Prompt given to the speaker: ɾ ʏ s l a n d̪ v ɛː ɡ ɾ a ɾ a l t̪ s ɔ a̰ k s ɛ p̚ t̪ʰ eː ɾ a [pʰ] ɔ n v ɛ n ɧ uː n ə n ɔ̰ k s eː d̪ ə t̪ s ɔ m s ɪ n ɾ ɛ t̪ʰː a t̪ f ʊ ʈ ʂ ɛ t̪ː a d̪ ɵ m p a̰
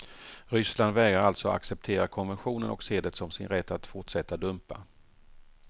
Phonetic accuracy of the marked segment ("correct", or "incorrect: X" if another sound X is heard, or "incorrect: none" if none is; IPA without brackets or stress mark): incorrect: kʰ